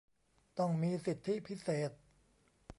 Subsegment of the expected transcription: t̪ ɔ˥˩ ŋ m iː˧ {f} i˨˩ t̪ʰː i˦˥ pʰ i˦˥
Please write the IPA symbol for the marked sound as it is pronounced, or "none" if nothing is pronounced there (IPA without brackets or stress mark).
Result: s